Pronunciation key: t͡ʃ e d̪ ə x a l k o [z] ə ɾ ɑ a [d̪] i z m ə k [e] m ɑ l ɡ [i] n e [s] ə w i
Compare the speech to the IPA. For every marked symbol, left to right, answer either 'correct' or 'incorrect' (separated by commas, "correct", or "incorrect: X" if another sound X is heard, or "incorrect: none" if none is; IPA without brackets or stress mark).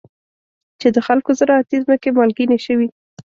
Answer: correct, incorrect: t̪, correct, correct, incorrect: ʃ